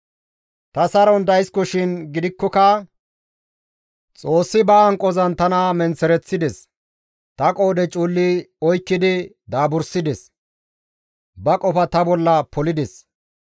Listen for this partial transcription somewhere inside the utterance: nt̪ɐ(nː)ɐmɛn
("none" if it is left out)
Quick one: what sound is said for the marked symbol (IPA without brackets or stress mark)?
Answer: n